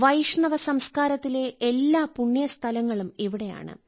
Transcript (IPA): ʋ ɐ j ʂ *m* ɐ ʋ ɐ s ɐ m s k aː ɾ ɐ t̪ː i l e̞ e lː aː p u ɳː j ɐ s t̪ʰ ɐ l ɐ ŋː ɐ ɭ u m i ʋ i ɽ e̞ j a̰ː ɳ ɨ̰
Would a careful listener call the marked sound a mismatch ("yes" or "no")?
yes